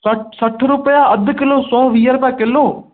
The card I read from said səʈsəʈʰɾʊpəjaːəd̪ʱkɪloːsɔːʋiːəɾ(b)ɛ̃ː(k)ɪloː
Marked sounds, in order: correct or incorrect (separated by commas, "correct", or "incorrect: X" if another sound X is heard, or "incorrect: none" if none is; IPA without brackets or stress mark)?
incorrect: p, correct